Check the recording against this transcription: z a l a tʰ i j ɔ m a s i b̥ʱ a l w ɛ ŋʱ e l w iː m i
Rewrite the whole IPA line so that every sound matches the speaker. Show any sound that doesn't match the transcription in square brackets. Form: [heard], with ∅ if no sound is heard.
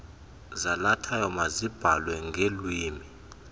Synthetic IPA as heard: z a l a tʰ [a] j ɔ m a [z] i b̥ʱ a l w ɛ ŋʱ e l w iː m i